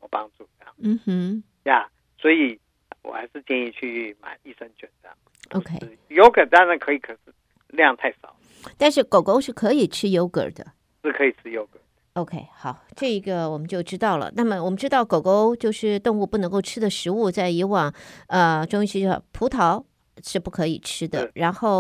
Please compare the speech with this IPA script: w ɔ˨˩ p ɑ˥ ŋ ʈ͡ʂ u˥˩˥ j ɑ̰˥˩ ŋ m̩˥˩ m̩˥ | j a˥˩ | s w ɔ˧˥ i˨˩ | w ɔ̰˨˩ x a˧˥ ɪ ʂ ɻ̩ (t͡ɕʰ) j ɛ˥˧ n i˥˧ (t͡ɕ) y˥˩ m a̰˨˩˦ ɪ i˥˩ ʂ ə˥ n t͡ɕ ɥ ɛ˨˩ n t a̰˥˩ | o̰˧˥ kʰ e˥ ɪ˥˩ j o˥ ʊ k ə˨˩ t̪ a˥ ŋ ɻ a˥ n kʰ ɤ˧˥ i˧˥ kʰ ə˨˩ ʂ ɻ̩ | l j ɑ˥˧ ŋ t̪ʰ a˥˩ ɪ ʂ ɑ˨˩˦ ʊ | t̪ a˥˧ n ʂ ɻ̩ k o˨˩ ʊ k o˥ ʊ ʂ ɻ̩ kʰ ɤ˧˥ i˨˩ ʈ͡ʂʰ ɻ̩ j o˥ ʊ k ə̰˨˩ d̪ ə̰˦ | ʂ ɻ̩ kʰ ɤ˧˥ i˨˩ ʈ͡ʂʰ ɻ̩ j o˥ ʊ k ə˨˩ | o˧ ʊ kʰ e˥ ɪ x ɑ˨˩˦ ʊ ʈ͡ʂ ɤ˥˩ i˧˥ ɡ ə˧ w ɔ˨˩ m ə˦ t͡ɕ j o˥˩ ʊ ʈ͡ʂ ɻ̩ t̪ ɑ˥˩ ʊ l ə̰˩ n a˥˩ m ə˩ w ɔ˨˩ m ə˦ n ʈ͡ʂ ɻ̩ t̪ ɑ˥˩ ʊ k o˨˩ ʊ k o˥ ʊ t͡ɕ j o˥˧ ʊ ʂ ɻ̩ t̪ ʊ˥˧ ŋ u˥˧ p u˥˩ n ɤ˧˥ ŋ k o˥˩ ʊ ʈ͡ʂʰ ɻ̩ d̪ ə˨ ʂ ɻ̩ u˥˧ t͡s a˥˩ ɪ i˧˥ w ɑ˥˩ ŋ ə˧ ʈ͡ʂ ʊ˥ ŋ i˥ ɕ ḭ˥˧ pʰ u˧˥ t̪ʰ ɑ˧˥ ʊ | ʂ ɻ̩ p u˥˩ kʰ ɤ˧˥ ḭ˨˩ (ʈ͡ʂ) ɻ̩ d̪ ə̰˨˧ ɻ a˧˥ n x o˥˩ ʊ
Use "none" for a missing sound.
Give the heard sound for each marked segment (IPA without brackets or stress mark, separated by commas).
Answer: t͡ɕ, t͡ɕʰ, ʈ͡ʂʰ